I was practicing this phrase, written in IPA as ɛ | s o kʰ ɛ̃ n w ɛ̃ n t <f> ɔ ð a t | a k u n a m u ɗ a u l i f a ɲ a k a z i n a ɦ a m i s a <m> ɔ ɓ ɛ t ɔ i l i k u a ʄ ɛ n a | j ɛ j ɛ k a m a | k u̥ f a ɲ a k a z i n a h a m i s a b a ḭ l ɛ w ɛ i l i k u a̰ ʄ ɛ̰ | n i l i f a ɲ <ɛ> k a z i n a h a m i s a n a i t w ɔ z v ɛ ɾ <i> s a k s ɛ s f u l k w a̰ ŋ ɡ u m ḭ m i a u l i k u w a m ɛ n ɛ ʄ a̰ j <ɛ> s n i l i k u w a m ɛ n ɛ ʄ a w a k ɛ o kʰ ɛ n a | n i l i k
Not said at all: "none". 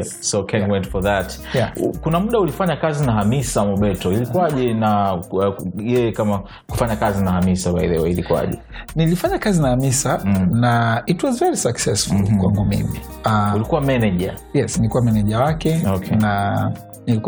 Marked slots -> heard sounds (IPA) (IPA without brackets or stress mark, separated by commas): f, m, a, i, ɛ